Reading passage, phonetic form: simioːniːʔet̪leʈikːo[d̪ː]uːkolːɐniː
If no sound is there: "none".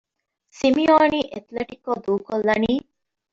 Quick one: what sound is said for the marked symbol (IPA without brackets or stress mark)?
d̪